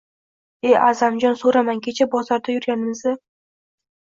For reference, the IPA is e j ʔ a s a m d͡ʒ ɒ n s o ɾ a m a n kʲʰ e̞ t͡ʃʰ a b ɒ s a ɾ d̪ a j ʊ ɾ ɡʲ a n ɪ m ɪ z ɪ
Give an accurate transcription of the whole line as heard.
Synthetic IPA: e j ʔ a z a m d͡ʒ ɒ n s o ɾ a m a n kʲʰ e̞ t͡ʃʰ a b ɒ z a ɾ d̪ a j ʊ ɾ ɡʲ a n ɪ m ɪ z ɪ